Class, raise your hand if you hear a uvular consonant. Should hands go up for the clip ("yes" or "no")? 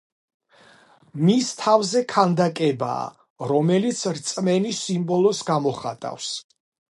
yes